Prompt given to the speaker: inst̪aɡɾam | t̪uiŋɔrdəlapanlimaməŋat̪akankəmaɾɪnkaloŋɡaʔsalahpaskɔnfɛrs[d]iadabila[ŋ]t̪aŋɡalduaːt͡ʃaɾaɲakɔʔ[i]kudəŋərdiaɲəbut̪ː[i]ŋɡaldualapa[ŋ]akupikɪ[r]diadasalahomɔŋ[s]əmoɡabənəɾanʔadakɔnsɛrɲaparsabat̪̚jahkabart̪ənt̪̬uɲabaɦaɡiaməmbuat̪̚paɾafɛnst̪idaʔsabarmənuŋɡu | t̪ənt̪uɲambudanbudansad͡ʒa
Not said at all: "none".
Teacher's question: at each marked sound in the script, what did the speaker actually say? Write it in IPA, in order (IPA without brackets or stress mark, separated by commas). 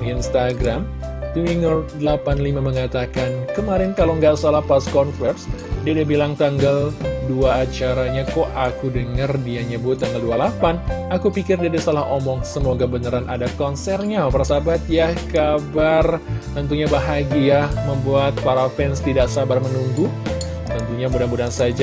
d, ŋ, a, a, n, r, s